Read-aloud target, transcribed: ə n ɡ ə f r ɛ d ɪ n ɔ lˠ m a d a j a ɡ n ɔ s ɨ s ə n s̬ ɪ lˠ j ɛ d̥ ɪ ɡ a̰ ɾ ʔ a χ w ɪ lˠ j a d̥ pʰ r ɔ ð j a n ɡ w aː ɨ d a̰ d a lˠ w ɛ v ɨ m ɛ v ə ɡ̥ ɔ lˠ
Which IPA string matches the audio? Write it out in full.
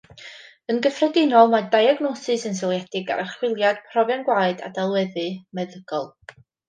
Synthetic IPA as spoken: ə n ɡ ə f r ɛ d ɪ n ɔ lˠ m a d a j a ɡ n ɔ s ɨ s ə n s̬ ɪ lˠ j ɛ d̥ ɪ ɡ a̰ ɾ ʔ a χ w ɪ lˠ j a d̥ pʰ r ɔ v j a n ɡ w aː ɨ d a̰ d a lˠ w ɛ ð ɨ m ɛ ð ə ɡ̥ ɔ lˠ